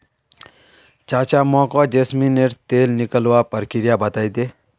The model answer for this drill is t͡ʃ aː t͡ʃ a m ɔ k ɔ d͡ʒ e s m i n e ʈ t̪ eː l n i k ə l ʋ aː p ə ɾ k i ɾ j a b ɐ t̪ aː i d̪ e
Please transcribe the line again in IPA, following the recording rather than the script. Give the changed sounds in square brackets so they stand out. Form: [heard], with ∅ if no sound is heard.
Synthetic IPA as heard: t͡ʃ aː t͡ʃ a m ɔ k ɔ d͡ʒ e s m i n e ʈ t̪ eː l n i k ə l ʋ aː p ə ɾ k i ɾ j a b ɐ t̪ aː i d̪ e